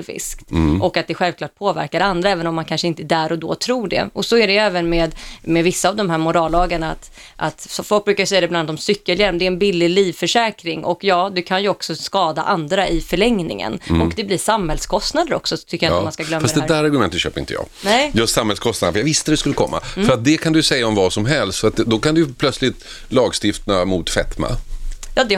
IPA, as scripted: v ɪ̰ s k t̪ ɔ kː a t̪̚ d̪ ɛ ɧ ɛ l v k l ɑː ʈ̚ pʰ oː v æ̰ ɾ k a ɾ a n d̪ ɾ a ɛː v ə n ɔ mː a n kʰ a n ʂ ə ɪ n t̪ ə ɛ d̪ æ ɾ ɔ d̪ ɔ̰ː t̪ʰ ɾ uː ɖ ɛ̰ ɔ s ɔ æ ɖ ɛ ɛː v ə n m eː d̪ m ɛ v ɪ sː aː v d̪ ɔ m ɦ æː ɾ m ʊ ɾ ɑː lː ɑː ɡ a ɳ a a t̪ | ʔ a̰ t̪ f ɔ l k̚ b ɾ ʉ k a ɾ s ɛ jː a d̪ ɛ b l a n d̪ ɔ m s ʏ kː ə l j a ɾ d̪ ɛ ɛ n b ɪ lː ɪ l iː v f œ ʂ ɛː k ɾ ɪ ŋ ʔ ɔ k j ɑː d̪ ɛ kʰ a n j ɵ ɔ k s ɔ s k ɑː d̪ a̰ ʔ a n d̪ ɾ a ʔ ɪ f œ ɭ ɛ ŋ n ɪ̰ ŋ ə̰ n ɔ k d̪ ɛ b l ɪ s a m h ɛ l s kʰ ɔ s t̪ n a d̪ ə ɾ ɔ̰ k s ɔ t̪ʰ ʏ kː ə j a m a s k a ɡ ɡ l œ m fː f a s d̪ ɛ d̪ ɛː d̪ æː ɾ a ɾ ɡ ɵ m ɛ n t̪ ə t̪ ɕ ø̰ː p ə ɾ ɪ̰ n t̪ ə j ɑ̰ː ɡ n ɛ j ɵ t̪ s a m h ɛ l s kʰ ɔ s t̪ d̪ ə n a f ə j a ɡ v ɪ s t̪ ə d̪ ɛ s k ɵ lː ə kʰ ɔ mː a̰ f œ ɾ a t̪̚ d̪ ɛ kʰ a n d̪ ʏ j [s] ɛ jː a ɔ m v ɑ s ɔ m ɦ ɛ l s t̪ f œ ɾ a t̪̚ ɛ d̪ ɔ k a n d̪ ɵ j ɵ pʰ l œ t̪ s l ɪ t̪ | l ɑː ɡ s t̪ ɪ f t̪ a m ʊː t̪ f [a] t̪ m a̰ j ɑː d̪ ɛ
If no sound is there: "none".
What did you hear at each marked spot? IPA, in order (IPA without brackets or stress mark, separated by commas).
s, ɛ